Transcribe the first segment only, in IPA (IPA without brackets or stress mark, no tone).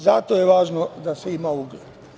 z